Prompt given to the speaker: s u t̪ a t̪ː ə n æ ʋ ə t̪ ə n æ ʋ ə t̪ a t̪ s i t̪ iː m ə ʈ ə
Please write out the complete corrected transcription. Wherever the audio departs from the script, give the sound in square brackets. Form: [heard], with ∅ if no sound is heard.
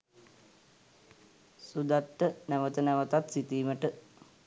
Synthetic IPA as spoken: s u [d̪] a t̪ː ə n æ ʋ ə t̪ ə n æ ʋ ə t̪ a t̪ s i t̪ iː m ə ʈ ə